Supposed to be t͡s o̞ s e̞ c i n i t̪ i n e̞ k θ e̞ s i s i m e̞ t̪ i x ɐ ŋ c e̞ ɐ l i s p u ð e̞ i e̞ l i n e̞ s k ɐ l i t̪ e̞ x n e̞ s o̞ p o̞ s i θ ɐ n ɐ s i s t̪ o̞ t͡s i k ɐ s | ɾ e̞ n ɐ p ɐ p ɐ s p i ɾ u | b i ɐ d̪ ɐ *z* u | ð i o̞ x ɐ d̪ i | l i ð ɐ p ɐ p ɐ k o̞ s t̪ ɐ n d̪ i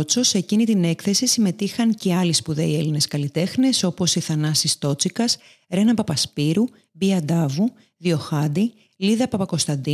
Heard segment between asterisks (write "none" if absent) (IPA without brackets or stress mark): v